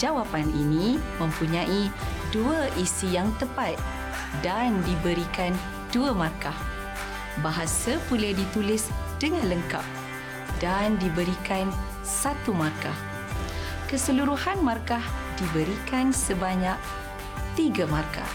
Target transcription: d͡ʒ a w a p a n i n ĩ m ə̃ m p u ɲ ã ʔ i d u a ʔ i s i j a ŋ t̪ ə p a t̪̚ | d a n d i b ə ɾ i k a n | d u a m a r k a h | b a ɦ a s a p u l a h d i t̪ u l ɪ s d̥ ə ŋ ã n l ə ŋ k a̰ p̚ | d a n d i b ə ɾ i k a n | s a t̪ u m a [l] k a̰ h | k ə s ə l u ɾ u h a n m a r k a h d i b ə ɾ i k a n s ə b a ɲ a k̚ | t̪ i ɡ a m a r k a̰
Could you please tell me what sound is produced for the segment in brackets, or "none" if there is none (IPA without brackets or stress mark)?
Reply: r